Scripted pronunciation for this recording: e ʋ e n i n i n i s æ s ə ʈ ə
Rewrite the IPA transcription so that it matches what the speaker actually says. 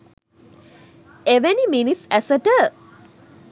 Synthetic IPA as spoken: e ʋ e n i m i n i s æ s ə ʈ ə

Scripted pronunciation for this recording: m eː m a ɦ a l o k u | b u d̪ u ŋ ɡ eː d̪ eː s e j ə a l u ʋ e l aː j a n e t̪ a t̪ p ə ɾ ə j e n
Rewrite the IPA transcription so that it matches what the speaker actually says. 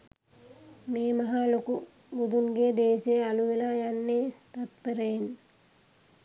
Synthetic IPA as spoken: m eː m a ɦ a l o k u | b u d̪ u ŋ ɡ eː d̪ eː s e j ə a l u ʋ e l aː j a nː e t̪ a t̪ p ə ɾ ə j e n

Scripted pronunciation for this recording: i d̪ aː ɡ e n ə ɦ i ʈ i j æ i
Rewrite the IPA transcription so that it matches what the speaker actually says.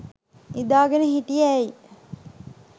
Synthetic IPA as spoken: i d̪ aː ɡ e n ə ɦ i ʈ i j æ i

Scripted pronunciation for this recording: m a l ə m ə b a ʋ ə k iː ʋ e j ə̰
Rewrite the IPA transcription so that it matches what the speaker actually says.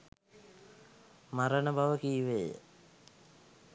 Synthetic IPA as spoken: m a ɾ ə n ə b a ʋ ə k iː ʋ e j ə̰

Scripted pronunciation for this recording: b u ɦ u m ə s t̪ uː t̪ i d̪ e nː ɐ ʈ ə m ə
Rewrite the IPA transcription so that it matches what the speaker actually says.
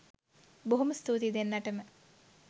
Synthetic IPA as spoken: b o ɦ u m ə s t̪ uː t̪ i d̪ e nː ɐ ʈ ə m ə

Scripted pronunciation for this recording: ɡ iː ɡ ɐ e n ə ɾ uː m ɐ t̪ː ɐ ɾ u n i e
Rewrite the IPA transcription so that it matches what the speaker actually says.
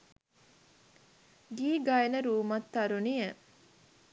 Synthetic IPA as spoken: ɡ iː ɡ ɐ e n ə ɾ uː m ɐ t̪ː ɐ ɾ u n i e

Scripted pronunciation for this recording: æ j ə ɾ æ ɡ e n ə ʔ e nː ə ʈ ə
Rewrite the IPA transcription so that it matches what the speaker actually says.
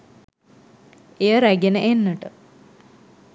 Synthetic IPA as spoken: e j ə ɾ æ ɡ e n ə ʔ e nː ə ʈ ə

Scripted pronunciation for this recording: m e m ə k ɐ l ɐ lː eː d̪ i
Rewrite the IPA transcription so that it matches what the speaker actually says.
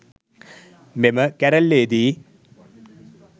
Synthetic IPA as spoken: m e m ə k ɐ ɾ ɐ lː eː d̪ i

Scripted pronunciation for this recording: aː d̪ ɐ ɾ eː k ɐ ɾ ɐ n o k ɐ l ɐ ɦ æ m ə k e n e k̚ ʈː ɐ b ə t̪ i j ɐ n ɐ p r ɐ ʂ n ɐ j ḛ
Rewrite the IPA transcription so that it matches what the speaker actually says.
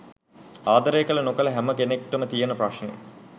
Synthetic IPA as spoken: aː d̪ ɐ ɾ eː k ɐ l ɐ n o k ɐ l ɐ ɦ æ m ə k e n e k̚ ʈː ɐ m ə t̪ i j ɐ n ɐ p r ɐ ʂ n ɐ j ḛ

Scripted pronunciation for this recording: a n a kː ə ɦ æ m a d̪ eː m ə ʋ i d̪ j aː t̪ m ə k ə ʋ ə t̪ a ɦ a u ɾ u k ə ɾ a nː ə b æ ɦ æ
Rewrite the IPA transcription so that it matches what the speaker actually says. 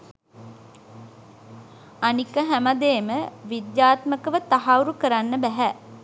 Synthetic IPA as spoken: a n i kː ə ɦ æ m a d̪ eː m ə ʋ i d̪ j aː t̪ m ə k ə ʋ ə t̪ a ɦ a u ɾ u k ə ɾ a nː ə b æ ɦ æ

